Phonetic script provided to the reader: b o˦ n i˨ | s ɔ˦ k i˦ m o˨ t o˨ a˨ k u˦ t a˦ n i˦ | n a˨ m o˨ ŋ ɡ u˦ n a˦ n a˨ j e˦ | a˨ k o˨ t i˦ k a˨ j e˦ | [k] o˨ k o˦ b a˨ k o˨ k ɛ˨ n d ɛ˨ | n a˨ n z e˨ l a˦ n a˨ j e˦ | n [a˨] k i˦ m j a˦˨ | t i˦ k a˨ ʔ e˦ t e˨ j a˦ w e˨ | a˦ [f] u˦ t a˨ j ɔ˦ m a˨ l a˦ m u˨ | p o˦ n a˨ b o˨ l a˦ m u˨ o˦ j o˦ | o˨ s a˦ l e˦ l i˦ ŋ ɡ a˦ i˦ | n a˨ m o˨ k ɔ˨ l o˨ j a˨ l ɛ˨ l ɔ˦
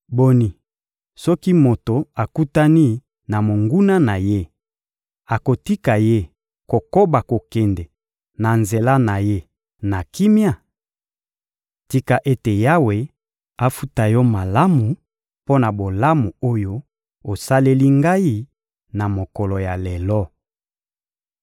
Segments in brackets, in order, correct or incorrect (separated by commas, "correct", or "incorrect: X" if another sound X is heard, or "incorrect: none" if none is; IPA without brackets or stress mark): correct, correct, correct